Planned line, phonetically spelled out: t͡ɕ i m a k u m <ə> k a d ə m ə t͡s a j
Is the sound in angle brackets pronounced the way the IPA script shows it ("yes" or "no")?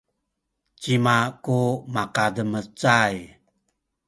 no